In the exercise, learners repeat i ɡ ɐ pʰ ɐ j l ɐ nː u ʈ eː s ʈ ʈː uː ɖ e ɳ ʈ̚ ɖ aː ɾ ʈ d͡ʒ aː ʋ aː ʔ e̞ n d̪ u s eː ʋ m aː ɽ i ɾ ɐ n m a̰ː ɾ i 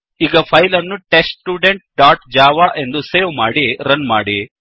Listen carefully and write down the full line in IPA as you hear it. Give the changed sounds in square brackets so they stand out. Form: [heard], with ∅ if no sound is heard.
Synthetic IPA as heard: i ɡ ɐ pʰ ɐ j l ɐ nː u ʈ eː s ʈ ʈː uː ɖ e ɳ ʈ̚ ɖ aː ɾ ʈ d͡ʒ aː ʋ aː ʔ e̞ n d̪ u s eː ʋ m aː ɽ i ɾ ɐ n m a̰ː [ɽ] i